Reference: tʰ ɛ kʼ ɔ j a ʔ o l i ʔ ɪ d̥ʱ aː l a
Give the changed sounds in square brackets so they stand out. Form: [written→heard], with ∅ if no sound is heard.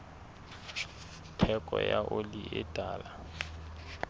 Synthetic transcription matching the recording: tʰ ɛ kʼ ɔ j a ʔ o l i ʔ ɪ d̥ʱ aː l a